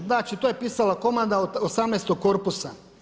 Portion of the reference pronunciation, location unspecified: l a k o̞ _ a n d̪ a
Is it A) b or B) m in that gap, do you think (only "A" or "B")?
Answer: B